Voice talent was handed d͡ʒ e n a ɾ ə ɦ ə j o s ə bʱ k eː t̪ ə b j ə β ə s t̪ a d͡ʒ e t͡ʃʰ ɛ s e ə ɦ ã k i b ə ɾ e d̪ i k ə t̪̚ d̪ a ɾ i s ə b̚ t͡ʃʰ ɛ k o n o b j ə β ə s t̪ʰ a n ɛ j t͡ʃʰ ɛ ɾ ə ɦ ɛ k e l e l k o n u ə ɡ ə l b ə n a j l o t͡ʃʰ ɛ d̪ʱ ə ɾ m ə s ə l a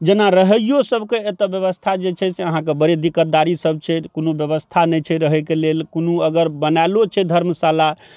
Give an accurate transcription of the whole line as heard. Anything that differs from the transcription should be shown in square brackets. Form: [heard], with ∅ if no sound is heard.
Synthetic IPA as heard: d͡ʒ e n a ɾ ə ɦ ə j o s ə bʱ k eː t̪ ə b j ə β ə s [t̪ʰ] a d͡ʒ e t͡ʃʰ ɛ s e ə ɦ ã k [e] b ə ɾ e d̪ i k ə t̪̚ d̪ a ɾ i s ə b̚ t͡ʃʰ ɛ k o n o b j ə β ə s t̪ʰ a n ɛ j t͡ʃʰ ɛ ɾ ə ɦ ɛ k e l e l k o n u ə ɡ ə [ɾ] b ə n a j l o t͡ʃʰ ɛ d̪ʱ ə ɾ m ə s [a] l a

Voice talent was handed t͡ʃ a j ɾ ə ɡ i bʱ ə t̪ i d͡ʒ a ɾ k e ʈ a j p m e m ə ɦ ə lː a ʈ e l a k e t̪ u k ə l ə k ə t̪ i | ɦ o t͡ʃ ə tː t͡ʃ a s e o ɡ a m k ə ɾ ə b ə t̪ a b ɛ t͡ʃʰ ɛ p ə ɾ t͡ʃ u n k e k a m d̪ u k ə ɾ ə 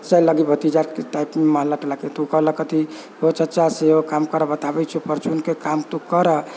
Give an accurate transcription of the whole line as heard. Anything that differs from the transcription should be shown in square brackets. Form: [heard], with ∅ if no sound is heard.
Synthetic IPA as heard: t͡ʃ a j [l] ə ɡ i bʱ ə t̪ i d͡ʒ a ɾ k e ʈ a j p m e m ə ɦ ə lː a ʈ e l a k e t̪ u k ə l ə k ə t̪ i | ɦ o t͡ʃ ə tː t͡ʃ a s e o [k] a m k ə ɾ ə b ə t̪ a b ɛ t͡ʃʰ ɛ p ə ɾ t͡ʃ u n k e k a m [t̪] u k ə ɾ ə

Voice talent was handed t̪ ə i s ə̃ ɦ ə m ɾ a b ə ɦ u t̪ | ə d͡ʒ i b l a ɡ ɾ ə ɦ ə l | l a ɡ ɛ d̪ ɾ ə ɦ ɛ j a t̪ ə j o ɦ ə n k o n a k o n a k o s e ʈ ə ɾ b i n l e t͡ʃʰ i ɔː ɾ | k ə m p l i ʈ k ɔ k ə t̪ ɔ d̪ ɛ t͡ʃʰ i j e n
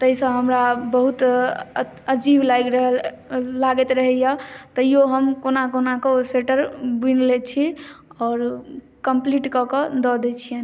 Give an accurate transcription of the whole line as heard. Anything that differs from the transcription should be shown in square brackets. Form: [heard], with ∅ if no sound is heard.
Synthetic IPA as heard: t̪ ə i s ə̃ ɦ ə m ɾ a b ə ɦ u t̪ | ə d͡ʒ i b l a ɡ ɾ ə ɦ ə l | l a ɡ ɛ [t̪] ɾ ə ɦ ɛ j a t̪ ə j o ɦ ə [m] k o n a k o n a k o s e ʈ ə ɾ b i n l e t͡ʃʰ i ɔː ɾ | k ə m p l i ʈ k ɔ k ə [d̪] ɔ d̪ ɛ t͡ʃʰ i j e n

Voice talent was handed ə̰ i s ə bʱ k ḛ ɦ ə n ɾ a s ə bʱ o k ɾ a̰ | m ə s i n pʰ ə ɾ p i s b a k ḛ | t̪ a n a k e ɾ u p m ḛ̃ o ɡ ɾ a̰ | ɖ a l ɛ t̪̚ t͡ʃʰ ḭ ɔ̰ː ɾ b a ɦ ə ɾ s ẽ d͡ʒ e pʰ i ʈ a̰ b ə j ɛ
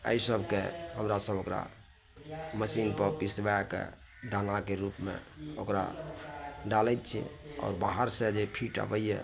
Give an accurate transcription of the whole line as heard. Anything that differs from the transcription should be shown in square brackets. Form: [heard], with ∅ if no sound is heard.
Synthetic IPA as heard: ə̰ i s ə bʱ k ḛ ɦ ə [m] ɾ a s ə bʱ o k ɾ a̰ | m ə s i n [p] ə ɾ p i s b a k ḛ | [d̪] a n a k e ɾ u p m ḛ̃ o [k] ɾ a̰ | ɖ a l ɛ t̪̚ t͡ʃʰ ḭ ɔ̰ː ɾ b a ɦ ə ɾ s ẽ d͡ʒ e pʰ i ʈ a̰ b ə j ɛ

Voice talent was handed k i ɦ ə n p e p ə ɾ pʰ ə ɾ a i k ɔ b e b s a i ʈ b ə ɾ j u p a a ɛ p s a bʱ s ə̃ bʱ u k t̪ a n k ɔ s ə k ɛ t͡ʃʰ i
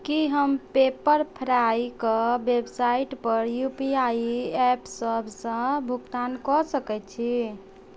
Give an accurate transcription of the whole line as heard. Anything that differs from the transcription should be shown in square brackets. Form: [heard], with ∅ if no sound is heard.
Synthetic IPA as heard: k i ɦ ə [m] p e p ə ɾ pʰ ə ɾ a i k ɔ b e b s a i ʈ [p] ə ɾ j u p [i] a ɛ p s [ə] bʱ s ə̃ bʱ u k t̪ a n k ɔ s ə k ɛ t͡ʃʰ i

